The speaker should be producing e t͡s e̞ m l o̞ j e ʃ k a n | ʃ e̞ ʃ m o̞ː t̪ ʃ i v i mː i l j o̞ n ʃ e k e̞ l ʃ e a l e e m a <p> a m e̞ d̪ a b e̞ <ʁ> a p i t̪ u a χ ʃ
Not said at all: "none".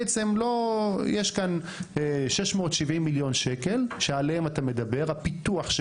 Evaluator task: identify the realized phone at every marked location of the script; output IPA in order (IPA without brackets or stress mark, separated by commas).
t, ʁ